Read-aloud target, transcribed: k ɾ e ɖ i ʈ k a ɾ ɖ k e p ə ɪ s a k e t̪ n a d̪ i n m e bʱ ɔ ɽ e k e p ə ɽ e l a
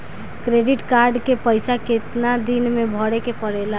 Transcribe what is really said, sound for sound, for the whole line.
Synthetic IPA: k ɾ e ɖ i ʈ k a ɾ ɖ k e p ə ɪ s a k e t̪ n a d̪ i n m e bʱ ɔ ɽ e k e p ə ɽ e l a